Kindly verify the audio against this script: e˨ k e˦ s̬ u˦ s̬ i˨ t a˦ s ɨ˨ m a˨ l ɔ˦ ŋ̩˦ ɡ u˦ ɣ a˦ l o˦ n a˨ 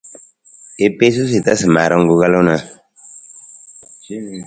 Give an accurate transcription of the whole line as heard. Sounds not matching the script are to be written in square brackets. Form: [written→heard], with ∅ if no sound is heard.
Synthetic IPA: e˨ [k→p] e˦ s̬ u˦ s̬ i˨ t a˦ s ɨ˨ m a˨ [l→ɾ] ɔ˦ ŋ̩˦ ɡ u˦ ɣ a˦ l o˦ n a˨